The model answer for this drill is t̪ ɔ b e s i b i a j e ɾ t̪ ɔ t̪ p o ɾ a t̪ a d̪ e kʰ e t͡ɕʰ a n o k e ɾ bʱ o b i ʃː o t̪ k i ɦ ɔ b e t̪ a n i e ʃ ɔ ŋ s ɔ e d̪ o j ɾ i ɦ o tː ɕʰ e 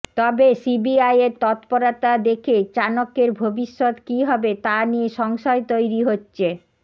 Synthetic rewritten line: t̪ ɔ b e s i b i a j e ɾ t̪ ɔ t̪ p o ɾ a t̪ a d̪ e kʰ e t͡ɕ a n o k e ɾ bʱ o b i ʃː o t̪ k i ɦ ɔ b e t̪ a n i e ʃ ɔ ŋ ʃ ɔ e t̪ o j ɾ i ɦ o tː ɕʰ e